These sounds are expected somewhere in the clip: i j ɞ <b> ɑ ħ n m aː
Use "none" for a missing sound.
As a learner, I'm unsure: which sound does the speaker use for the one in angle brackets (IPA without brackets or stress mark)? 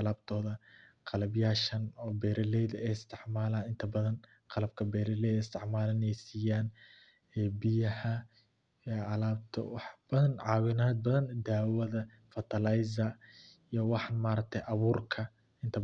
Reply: w